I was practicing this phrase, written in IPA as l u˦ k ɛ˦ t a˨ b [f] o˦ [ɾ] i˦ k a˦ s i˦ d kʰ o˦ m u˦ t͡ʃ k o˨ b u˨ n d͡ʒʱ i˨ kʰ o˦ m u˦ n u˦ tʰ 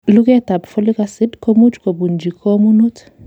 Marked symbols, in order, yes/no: yes, no

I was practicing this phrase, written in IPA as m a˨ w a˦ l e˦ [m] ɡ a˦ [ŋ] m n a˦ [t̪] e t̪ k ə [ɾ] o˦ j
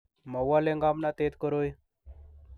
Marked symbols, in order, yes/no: no, no, yes, yes

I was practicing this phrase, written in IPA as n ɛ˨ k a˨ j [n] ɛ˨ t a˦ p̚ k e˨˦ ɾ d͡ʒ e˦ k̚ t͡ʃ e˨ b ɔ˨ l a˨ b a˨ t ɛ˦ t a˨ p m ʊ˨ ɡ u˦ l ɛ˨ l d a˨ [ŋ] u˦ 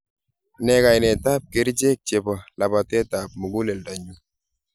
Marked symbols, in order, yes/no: yes, no

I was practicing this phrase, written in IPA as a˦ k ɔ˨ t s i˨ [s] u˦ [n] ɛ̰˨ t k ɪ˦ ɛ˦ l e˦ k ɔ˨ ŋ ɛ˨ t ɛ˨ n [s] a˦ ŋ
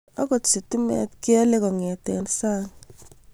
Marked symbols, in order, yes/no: no, no, yes

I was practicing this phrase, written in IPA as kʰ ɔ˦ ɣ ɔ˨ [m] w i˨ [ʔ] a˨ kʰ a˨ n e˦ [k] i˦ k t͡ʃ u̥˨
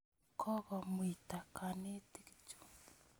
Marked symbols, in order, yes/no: yes, no, no

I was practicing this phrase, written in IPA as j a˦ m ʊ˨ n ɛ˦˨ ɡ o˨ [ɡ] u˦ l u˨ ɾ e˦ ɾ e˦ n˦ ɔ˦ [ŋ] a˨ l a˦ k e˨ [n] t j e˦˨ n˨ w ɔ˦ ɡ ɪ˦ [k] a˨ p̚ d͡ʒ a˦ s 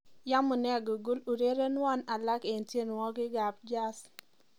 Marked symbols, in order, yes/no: yes, no, yes, no

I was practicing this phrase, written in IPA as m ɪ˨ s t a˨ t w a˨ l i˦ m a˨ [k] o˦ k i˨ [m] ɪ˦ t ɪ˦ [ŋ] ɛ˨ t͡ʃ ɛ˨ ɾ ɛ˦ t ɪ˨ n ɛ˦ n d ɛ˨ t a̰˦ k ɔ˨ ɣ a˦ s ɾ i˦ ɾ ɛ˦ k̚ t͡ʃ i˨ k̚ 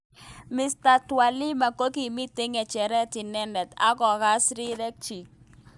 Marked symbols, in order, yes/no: yes, yes, yes

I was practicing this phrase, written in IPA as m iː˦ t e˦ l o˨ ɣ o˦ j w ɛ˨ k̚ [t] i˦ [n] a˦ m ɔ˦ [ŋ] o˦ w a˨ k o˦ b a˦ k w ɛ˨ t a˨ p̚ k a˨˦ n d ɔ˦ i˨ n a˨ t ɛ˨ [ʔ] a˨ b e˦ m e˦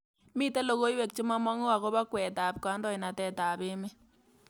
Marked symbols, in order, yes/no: no, no, yes, no

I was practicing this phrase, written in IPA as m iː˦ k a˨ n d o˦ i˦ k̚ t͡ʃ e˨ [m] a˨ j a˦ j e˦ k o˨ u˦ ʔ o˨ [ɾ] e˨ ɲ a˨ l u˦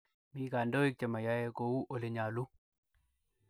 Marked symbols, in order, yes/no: yes, no

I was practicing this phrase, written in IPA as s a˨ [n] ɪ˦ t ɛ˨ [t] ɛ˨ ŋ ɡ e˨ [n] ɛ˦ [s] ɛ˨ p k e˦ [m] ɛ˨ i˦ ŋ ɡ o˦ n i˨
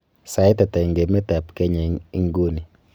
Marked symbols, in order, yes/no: no, yes, no, no, no

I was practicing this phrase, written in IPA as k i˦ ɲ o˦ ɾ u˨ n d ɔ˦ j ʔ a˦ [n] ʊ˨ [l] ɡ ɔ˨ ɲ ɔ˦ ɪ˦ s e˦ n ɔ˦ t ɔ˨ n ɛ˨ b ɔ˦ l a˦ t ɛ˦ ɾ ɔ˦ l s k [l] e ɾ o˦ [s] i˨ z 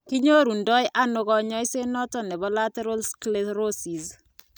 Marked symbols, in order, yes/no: yes, no, yes, yes

